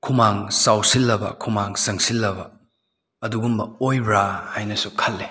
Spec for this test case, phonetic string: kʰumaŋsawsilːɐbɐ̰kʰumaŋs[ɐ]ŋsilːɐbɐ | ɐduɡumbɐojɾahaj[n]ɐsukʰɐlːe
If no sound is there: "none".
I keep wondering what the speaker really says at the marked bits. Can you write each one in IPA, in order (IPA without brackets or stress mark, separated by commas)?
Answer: ɐ, n